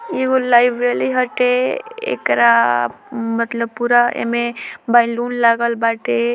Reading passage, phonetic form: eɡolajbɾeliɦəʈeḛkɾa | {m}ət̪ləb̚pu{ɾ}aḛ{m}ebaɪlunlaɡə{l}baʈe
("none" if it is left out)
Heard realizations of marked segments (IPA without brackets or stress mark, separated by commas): m, ɾ, m, l